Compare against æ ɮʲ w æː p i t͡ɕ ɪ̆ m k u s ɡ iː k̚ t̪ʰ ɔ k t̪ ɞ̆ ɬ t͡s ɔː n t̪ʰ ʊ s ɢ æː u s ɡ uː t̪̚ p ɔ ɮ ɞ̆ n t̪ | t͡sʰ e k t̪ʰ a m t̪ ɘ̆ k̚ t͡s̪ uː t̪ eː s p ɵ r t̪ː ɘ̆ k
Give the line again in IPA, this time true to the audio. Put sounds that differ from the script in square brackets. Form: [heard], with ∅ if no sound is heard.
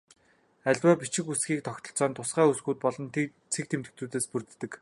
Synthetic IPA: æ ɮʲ w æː p i t͡ɕ ɪ̆ [∅] k u s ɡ iː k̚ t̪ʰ ɔ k t̪ ɞ̆ ɬ t͡s ɔː n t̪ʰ ʊ s ɢ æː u s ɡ uː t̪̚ p ɔ ɮ ɞ̆ n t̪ | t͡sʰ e k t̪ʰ [e] m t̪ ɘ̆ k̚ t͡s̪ uː t̪ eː s p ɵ r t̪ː ɘ̆ k